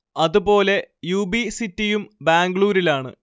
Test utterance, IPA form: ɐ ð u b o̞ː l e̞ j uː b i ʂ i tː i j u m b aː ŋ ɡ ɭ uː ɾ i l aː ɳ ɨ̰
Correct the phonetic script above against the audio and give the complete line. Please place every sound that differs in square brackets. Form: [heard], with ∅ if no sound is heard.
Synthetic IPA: ɐ ð u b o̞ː l e̞ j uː b i [s] i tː i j u m b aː ŋ ɡ ɭ uː ɾ i l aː ɳ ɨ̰